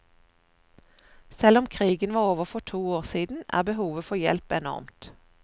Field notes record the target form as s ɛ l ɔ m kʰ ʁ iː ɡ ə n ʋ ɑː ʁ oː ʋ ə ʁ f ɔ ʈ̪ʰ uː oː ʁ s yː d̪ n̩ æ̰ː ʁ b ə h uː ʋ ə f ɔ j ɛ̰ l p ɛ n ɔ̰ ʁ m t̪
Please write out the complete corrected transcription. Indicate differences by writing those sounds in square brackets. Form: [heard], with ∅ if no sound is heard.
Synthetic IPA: s ɛ l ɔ m kʰ ʁ iː ɡ ə n ʋ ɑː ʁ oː ʋ ə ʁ f ɔ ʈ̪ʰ uː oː ʁ s [iː] d̪ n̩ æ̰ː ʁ b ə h uː ʋ ə f ɔ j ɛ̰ l p ɛ n ɔ̰ ʁ m t̪